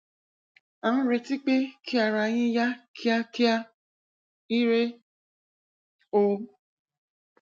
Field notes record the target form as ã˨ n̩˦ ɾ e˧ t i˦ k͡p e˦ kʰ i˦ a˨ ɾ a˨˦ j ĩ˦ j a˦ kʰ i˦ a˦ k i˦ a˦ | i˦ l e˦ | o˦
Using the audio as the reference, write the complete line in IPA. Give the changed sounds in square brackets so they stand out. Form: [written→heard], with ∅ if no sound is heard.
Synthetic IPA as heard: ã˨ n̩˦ ɾ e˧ t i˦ k͡p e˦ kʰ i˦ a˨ ɾ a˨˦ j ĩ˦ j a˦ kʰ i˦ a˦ k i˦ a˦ | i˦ [l→ɾ] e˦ | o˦